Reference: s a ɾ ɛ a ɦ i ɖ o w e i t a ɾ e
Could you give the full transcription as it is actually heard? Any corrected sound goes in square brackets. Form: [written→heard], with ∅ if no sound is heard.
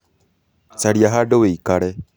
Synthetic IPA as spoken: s a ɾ [ɛ→i] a ɦ [i→a] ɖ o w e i [t→k] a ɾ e